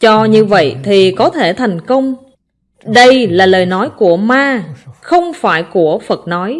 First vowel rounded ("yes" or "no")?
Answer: yes